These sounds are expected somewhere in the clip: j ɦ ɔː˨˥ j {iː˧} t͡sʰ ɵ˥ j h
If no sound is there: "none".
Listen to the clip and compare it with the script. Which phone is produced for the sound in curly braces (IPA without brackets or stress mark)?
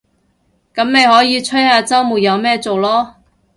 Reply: iː˧